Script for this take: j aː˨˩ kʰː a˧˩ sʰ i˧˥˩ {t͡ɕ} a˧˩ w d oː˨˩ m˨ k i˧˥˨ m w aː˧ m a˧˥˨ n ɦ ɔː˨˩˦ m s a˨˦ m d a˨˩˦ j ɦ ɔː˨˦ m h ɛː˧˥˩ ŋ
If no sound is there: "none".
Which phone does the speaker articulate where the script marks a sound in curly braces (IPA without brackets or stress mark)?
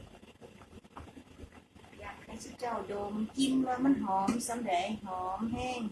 t͡ɕ